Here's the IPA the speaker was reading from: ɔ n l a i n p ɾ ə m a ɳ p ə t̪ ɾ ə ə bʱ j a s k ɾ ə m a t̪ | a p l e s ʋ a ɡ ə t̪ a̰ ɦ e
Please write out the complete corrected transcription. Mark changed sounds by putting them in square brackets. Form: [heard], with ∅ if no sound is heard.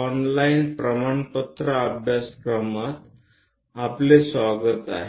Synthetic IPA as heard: ɔ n l a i n p ɾ ə m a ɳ p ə t̪ ɾ ə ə bʱ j a s k ɾ ə m a t̪ | a p l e s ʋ a ɡ ə t̪ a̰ ɦ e